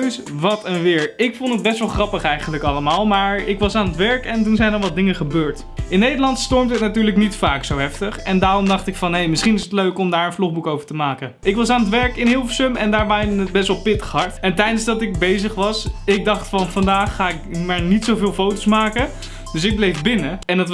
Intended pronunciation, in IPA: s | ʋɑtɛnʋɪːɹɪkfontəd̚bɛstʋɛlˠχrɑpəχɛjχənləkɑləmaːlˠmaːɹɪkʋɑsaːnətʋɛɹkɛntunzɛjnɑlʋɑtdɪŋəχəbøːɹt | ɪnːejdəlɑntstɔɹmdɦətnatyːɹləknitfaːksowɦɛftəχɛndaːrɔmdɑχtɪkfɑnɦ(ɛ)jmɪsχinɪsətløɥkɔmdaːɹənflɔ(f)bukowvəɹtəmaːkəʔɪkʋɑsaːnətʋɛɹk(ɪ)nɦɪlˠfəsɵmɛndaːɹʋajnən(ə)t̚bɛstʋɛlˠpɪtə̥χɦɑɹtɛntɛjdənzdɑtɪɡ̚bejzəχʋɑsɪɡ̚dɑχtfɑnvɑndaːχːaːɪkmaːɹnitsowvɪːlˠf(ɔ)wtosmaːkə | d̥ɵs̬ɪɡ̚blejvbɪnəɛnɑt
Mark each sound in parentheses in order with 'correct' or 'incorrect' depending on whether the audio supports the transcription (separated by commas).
incorrect, incorrect, correct, correct, incorrect